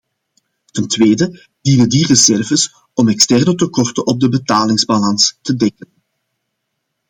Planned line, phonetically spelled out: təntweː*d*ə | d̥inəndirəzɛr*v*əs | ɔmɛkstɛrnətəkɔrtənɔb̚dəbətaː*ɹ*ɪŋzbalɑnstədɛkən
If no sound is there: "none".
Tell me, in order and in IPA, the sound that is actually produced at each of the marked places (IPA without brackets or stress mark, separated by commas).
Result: d, v, l